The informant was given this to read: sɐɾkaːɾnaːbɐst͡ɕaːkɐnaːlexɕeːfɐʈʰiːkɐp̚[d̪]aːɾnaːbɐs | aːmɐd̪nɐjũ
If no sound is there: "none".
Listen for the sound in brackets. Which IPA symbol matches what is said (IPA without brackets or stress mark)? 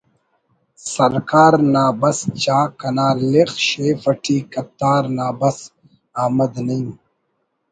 t̪